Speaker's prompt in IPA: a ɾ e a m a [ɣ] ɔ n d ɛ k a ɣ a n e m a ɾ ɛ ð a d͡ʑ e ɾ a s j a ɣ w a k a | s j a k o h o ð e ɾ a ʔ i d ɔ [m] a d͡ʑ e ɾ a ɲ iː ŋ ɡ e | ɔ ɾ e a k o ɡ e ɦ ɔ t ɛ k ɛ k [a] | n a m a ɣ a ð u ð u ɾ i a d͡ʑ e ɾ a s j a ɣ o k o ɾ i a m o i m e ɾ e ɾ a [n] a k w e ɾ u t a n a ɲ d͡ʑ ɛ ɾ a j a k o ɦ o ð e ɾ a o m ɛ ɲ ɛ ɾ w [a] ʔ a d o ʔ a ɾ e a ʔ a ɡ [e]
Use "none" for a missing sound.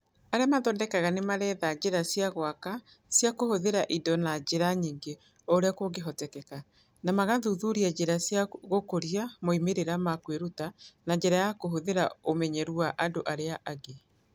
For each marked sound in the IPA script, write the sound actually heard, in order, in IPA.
ð, n, a, m, a, e

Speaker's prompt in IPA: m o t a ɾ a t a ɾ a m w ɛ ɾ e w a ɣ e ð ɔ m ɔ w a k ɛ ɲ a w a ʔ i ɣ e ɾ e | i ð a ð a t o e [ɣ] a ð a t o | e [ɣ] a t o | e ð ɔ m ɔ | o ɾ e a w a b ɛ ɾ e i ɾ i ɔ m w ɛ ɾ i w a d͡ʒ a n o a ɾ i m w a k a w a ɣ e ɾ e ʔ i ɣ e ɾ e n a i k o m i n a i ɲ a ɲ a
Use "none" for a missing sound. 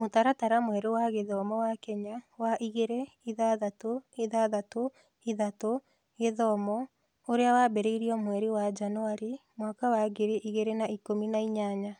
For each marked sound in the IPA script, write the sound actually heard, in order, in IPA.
ð, ð

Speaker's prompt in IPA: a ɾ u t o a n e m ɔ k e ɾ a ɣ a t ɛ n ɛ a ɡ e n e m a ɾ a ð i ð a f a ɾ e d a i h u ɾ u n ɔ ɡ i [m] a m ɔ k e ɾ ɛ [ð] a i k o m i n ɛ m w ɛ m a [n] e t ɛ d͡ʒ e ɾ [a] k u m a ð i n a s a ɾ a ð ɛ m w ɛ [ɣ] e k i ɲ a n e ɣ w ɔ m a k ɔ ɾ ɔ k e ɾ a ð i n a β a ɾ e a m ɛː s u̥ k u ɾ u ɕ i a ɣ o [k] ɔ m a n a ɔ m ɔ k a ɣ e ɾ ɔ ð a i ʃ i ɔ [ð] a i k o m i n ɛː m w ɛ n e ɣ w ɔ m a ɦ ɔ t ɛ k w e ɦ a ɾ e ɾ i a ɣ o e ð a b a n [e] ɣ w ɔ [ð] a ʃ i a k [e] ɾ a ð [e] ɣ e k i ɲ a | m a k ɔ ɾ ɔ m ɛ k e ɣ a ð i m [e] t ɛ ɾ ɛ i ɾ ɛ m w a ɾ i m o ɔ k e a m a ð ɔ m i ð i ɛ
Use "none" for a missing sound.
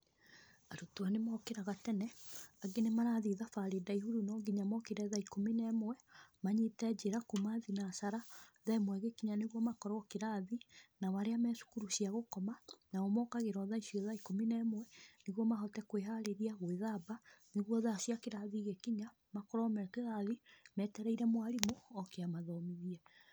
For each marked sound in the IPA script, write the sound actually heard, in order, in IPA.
ɲ, ð, ɲ, a, ɣ, k, ð, e, ð, e, i, ɛ

